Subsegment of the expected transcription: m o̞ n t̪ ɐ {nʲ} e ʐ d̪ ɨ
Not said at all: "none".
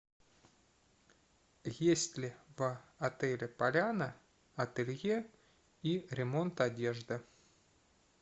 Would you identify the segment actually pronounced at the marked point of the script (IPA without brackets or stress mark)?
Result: dʲ